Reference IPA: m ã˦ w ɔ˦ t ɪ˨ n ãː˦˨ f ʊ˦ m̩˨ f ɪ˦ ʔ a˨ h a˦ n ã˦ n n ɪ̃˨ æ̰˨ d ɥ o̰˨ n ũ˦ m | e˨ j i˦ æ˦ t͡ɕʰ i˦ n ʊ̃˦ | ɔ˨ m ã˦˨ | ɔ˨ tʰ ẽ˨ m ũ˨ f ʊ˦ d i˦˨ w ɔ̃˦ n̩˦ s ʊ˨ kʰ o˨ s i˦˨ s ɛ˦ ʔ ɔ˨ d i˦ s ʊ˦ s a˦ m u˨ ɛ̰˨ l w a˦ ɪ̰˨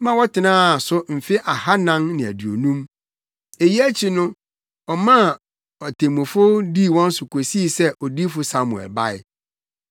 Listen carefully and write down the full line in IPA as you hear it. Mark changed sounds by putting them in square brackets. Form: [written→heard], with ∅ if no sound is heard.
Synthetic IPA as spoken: m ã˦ w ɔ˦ t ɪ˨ n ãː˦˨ [f→s] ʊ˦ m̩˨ f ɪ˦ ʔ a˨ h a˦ n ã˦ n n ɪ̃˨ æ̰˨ d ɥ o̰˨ n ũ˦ m | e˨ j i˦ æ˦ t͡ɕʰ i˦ n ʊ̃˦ | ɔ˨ m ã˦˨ | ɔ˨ tʰ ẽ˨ m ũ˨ f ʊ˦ d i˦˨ w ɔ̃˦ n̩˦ s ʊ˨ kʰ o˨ s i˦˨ s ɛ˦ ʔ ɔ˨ d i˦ [s→f] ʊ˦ s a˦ m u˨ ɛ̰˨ l [w→b] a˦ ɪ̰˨

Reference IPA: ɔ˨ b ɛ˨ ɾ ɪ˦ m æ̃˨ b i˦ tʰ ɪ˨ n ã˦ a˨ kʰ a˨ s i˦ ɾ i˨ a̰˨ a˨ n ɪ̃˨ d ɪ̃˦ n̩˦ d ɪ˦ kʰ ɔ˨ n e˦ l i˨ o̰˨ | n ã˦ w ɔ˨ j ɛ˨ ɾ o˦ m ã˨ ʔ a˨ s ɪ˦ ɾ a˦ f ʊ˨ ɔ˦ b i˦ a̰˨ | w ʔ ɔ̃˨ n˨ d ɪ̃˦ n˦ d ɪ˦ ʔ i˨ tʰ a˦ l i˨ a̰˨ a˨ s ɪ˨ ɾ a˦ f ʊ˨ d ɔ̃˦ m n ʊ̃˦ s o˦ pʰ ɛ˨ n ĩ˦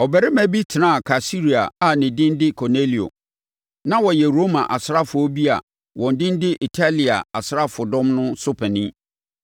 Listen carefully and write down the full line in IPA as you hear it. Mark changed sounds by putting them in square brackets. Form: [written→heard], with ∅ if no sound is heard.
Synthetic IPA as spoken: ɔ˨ b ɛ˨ ɾ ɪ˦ m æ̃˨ b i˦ tʰ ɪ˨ n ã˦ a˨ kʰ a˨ s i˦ ɾ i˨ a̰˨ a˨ n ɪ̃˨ d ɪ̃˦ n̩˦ d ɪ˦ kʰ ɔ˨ n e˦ l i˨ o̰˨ | n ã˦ w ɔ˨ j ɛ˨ ɾ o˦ m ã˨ ʔ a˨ s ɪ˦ ɾ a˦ f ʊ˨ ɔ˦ b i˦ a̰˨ | w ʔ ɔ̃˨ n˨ d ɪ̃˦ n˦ d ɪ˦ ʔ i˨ tʰ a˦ l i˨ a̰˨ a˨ s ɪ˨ ɾ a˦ f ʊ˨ d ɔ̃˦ m n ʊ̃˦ s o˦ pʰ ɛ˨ n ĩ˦

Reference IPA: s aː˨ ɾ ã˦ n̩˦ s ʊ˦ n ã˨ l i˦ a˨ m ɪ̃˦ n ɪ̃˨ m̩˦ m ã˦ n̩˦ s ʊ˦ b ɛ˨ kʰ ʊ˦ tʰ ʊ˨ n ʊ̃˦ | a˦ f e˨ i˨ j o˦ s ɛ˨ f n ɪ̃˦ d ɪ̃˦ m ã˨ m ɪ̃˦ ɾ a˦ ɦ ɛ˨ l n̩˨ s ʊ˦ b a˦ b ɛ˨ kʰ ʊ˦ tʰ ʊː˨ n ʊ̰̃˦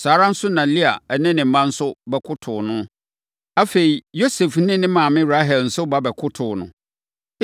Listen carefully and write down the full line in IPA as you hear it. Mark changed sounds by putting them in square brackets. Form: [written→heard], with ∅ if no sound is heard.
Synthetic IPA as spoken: s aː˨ ɾ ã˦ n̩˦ s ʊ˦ n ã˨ l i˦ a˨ [m→n] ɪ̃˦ n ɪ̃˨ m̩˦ m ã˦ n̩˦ s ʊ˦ b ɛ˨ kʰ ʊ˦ tʰ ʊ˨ n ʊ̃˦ | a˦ f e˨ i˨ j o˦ s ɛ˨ f n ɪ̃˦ [d→n] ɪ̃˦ m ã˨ m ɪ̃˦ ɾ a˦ ɦ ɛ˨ l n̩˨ s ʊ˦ b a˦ b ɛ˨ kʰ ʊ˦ tʰ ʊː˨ n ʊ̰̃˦

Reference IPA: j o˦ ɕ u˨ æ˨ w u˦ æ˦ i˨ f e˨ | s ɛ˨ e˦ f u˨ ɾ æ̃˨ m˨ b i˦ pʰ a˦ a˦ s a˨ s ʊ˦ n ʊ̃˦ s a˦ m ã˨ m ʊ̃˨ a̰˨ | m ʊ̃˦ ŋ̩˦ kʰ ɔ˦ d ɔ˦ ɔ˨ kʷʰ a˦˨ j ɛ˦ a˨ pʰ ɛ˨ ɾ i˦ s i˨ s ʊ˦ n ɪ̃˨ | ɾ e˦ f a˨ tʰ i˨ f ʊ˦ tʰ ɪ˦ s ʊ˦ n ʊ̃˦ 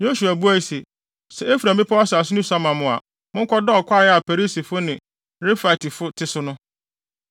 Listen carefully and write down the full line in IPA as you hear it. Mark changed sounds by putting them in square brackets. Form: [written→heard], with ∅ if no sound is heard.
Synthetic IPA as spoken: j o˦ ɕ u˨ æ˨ [w→b] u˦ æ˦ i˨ [f→s] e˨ | s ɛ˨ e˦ f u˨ ɾ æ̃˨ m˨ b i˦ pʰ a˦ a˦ s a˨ s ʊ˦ n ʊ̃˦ s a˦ m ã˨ m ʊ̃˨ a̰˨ | m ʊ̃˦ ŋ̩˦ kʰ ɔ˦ d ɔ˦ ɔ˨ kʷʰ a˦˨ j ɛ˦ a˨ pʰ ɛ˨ ɾ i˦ s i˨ [s→f] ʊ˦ n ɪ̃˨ | ɾ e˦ f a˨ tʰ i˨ f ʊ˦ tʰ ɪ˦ s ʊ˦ n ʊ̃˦

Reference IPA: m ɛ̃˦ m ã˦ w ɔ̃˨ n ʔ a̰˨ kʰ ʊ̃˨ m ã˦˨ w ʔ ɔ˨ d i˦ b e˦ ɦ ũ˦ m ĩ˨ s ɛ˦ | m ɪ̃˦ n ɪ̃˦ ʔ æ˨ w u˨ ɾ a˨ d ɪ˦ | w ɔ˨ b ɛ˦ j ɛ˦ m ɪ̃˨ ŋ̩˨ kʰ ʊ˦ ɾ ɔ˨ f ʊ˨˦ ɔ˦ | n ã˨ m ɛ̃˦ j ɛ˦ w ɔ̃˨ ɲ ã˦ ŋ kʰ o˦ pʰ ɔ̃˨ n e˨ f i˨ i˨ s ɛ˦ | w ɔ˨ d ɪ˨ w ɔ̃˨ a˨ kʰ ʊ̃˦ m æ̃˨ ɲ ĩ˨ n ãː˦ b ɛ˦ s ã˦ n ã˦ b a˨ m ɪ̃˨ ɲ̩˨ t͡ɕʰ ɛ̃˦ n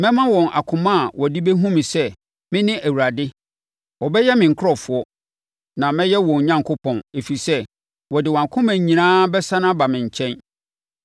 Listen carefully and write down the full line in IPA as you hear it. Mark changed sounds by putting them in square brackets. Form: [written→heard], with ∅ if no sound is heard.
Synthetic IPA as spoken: m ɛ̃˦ m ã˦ w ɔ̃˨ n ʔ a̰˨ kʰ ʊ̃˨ m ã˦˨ w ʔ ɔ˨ d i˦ b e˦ ɦ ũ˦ m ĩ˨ s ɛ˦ | m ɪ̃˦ n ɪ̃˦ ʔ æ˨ w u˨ ɾ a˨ d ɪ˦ | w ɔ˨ b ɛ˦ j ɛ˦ m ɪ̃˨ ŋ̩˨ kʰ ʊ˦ ɾ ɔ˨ f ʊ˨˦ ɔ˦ | n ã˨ m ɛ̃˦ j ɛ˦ w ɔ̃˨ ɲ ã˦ ŋ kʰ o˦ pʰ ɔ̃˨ n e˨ f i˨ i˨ s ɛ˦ | w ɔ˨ d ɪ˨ w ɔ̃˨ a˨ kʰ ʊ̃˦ m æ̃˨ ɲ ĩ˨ n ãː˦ b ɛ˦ s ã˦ n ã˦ b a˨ m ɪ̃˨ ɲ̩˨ t͡ɕʰ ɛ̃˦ n

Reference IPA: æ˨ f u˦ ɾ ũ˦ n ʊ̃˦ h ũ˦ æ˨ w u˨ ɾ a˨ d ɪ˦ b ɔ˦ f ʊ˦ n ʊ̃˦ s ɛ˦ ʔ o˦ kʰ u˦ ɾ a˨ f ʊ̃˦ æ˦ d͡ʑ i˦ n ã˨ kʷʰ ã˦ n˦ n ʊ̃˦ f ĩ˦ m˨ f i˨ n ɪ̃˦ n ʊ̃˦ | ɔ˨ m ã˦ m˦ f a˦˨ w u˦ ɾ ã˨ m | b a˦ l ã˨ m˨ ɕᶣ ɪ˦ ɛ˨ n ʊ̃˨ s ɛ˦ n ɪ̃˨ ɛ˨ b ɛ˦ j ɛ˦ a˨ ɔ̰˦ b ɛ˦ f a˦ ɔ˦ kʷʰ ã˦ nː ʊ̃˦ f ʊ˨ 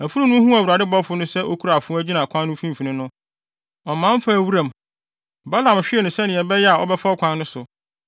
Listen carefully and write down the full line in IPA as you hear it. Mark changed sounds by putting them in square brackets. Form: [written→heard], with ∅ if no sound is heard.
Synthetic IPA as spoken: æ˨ f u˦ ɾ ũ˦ n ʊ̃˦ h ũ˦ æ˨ w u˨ ɾ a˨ d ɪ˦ b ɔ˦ f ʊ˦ n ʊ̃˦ s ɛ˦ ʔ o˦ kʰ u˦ ɾ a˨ f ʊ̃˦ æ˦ d͡ʑ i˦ n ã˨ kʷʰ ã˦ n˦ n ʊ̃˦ f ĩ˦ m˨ f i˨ n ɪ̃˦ n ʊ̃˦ | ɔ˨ m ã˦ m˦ f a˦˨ w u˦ ɾ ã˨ m | b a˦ l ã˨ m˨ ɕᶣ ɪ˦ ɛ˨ n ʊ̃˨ s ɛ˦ n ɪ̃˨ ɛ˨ b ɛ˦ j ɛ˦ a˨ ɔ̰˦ b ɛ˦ f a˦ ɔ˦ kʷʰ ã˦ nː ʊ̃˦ [f→s] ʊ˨

